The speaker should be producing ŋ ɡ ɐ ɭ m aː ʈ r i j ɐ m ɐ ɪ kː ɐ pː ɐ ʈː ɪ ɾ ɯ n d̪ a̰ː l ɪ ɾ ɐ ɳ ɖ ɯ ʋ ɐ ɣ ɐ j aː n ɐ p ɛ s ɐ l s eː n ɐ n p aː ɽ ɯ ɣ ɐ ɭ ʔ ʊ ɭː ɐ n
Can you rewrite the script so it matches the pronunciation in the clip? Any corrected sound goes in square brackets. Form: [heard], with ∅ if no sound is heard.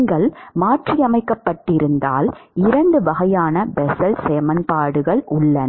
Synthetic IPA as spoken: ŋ ɡ ɐ ɭ m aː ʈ r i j ɐ m ɐ ɪ kː ɐ pː ɐ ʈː ɪ ɾ ɯ n d̪ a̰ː l ɪ ɾ ɐ ɳ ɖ ɯ ʋ ɐ ɣ ɐ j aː n ɐ [b] ɛ s ɐ l s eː [m] ɐ n p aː ɽ ɯ ɣ ɐ ɭ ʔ ʊ ɭː ɐ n